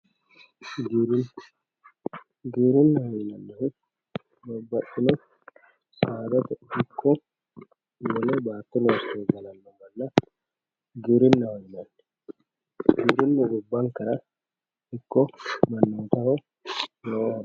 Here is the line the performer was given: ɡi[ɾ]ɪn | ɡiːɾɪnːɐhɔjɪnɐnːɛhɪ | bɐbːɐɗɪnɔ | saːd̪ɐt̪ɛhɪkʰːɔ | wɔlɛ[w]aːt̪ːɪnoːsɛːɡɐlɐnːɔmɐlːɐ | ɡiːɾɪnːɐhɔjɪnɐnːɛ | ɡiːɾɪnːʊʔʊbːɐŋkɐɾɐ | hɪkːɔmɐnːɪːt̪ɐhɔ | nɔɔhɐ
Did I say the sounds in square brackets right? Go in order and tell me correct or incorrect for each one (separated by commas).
correct, incorrect